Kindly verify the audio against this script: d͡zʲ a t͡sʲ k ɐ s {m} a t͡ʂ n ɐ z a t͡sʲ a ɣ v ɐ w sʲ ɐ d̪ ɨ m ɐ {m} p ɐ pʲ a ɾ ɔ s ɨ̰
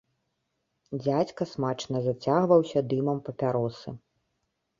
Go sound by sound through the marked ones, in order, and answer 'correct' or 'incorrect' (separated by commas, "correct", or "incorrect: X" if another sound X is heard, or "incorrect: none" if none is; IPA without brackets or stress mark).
correct, correct